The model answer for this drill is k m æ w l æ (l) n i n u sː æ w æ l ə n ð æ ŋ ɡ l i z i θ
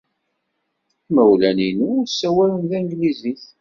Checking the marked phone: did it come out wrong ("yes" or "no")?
yes